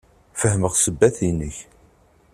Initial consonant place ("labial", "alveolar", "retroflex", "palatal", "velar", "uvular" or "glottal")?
labial